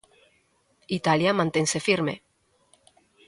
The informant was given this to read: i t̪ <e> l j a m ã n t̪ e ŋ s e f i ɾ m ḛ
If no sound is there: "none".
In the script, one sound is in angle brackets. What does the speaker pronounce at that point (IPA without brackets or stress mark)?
a